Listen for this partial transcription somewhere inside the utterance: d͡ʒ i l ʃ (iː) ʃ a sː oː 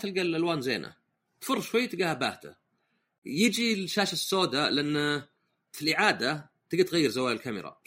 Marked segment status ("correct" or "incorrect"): incorrect